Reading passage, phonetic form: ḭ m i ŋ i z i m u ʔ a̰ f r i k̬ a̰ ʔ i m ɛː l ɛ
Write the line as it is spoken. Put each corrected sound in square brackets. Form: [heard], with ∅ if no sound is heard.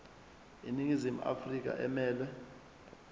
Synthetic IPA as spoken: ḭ [n] i ŋ i z i m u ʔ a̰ f r i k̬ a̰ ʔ [ɛ] m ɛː l ɛ

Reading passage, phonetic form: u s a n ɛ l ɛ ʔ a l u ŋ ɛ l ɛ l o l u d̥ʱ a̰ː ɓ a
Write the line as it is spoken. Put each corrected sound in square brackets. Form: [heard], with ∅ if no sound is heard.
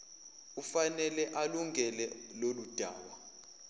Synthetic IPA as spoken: u [f] a n ɛ l ɛ ʔ a l u ŋ ɛ l ɛ l o l u d̥ʱ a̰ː ɓ a

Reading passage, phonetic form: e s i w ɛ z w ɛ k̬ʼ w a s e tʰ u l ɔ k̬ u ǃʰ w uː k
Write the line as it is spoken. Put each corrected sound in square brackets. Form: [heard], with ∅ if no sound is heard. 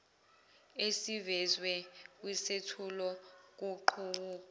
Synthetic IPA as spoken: e s i [v] ɛ z w ɛ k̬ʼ w [i] s e tʰ u l ɔ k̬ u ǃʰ [u] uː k

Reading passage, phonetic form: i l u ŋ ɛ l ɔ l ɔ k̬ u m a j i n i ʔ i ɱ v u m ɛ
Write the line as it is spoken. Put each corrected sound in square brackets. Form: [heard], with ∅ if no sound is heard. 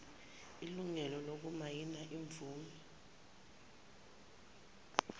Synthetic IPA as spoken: i l u ŋ ɛ l ɔ l [o] k̬ u m a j i n [a] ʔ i ɱ v [uː] m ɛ

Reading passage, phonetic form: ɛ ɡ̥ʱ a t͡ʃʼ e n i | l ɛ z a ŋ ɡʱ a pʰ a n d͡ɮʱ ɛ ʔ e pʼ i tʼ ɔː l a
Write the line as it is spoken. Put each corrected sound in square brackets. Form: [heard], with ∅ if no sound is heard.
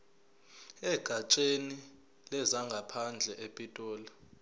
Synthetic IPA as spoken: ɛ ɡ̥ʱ a t͡ʃʼ e n i | l ɛ z a ŋ ɡʱ a pʰ a n d͡ɮʱ ɛ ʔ e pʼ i tʼ ɔː l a

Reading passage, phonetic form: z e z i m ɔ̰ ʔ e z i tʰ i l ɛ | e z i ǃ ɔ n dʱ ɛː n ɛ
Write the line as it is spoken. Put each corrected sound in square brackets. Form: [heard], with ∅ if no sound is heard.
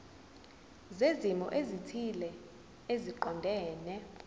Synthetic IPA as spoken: z e z i m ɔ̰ ʔ e z i tʰ i l ɛ | e z i ǃ ɔ n dʱ ɛː n ɛ

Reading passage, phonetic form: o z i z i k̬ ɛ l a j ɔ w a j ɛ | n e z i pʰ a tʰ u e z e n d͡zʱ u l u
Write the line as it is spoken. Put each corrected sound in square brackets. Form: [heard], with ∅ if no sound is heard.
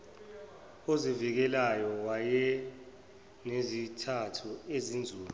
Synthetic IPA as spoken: o z i [v] i k̬ ɛ l a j ɔ w a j ɛ | n e z i [tʰ] a tʰ u e z [i] n d͡zʱ [uː] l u

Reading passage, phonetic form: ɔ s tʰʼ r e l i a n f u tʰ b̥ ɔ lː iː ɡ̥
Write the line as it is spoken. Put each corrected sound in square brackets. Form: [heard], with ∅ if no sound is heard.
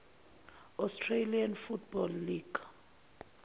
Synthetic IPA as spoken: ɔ s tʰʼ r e l i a n f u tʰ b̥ ɔ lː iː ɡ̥

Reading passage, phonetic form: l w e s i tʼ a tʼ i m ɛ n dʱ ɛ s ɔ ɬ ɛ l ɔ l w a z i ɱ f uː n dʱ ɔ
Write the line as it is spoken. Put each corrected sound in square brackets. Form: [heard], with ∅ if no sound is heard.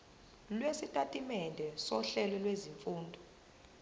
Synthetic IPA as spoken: l w e s i tʼ a tʼ i m ɛ n dʱ ɛ s ɔ ɬ ɛ l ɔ l w [e] z i ɱ f uː n dʱ ɔ

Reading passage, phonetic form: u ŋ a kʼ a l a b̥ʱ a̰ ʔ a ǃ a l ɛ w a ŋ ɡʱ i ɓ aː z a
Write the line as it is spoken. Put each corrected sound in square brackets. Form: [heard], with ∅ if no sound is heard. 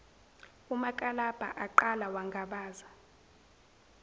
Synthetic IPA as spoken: u [m] a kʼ a l a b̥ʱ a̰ ʔ a ǃ a l [a] w a ŋ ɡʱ [a] ɓ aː z a

